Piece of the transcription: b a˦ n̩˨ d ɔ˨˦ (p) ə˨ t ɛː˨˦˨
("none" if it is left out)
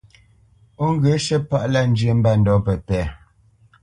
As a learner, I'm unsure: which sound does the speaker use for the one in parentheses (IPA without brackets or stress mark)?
p